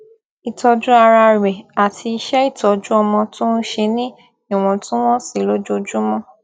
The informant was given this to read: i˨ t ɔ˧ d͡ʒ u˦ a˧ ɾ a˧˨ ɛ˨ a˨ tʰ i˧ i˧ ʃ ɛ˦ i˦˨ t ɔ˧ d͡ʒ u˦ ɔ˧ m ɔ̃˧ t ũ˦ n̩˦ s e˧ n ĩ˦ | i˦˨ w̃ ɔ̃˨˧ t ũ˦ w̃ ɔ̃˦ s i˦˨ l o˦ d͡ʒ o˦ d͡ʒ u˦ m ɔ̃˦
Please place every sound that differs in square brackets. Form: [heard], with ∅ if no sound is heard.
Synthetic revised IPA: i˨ t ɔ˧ d͡ʒ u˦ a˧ ɾ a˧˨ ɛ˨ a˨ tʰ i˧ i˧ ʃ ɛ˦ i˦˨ t ɔ˧ d͡ʒ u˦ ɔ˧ m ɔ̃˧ t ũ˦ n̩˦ [ʃ] e˧ n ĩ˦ | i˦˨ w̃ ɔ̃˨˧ t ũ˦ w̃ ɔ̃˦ s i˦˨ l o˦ d͡ʒ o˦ d͡ʒ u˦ m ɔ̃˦

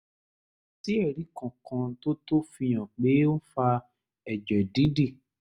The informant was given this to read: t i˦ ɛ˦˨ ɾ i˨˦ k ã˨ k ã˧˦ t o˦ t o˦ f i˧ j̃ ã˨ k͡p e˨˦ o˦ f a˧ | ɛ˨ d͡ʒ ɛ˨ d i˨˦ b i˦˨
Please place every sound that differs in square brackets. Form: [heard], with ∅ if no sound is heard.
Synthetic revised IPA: t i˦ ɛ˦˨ ɾ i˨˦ k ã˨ k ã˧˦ t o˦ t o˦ f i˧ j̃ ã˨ k͡p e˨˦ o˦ f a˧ | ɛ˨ d͡ʒ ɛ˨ d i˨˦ [d] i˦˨

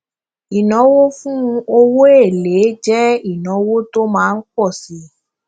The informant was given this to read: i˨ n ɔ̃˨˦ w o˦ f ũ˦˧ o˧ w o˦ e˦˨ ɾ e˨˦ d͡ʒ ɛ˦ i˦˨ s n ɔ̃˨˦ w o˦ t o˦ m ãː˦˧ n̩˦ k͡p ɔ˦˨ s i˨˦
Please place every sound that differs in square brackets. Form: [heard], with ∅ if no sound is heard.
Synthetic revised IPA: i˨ n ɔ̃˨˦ w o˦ f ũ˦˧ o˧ w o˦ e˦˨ [l] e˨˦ d͡ʒ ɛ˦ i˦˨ [∅] n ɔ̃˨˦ w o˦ t o˦ m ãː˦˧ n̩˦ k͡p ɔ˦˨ s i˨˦

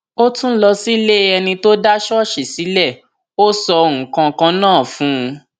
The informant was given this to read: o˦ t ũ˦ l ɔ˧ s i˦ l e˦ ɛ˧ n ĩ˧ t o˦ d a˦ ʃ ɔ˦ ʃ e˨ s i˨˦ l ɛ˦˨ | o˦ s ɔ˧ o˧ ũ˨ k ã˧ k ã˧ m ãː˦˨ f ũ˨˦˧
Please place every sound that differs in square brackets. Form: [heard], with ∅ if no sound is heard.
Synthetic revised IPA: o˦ t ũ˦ l ɔ˧ s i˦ l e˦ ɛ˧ n ĩ˧ t o˦ d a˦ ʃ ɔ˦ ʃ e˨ s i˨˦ l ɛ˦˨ | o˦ s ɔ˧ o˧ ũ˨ k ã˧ k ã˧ [n] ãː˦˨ f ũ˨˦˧

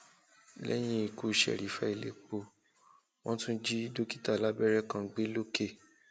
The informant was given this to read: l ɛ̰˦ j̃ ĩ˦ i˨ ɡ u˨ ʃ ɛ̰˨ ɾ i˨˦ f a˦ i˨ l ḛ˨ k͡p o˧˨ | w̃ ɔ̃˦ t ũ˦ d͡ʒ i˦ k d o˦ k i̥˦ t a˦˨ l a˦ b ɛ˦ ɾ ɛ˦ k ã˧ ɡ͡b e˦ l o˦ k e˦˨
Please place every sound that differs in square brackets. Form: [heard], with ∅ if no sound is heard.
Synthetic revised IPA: l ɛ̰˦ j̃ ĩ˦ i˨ [k] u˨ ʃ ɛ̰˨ ɾ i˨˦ f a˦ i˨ l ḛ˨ k͡p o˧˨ | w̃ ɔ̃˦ t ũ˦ d͡ʒ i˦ [∅] d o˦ k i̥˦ t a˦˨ l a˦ b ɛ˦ ɾ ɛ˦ k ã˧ ɡ͡b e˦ l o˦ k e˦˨

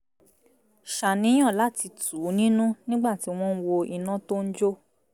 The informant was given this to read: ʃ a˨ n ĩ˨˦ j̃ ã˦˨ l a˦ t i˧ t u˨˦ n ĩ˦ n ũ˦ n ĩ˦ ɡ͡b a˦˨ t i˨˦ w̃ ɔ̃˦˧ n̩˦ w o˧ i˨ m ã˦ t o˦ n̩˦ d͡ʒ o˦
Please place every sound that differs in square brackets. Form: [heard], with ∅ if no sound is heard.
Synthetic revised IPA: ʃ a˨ n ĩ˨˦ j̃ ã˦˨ l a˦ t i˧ t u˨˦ n ĩ˦ n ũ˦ n ĩ˦ ɡ͡b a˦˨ t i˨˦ w̃ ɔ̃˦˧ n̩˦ w o˧ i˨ [n] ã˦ t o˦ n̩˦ d͡ʒ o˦

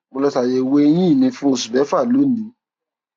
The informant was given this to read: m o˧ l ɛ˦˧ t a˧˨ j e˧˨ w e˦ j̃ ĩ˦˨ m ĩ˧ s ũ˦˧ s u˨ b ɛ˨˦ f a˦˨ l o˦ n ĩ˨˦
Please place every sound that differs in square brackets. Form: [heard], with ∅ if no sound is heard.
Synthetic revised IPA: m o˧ l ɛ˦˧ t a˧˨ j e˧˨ w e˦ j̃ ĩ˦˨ [n] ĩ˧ [f] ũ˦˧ s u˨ b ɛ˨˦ f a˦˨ l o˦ n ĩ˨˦

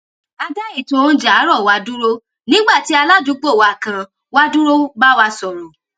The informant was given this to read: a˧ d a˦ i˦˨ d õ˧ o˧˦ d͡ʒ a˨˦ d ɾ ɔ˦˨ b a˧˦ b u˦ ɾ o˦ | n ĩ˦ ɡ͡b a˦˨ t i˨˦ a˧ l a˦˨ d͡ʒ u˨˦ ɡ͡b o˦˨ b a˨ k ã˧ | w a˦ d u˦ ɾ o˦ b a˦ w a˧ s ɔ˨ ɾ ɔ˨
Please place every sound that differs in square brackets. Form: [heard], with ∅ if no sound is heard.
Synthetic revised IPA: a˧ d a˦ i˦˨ [t] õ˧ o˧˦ d͡ʒ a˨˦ [∅] ɾ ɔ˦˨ [w] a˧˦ [d] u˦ ɾ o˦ | n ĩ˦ ɡ͡b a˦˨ t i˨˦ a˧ l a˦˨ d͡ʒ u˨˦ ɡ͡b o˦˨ [w] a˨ k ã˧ | w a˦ d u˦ ɾ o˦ b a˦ w a˧ s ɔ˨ ɾ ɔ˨

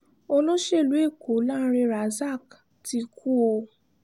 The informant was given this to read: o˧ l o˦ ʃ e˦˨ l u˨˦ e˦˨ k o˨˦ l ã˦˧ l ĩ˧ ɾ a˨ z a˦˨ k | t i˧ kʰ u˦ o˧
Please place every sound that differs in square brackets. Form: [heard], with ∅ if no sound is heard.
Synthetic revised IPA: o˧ l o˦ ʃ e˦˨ l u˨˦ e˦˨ k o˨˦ l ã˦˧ [ɾ] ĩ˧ ɾ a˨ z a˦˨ k | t i˧ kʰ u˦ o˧

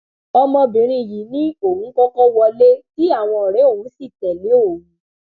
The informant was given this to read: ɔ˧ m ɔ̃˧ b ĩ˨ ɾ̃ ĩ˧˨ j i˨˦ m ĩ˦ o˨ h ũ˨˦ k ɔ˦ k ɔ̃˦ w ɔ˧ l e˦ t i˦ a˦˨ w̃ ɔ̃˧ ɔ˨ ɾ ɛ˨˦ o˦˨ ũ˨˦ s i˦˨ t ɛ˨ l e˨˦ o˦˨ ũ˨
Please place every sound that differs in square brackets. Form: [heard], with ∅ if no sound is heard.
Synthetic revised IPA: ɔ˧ m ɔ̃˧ b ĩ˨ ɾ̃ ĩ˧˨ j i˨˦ [n] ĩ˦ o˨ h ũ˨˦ k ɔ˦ k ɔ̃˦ w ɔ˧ l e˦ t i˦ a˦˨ w̃ ɔ̃˧ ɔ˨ ɾ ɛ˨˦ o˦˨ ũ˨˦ s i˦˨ t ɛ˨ l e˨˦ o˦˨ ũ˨

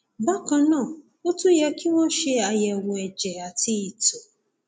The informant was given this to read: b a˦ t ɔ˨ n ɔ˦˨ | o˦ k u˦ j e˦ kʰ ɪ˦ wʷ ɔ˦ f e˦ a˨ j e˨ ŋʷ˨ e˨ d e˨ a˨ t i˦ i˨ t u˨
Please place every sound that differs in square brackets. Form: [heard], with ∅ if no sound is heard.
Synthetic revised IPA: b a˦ [k] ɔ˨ n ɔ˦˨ | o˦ [t] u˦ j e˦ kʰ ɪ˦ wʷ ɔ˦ [ʃ] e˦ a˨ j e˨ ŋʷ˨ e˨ [d͡ʒ] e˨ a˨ t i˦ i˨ t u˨

